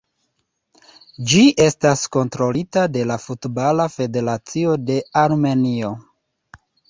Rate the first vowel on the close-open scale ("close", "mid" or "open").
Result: close